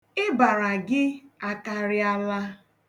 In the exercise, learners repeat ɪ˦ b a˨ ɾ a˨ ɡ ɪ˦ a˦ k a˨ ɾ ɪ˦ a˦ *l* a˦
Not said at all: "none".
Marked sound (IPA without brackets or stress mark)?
l